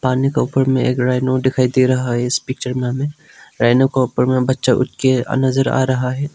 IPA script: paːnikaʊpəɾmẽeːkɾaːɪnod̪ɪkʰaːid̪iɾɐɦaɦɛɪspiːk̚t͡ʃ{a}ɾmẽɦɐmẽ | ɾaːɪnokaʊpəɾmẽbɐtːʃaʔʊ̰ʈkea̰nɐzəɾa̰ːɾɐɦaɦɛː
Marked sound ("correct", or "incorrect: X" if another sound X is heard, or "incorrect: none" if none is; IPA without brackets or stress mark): incorrect: ə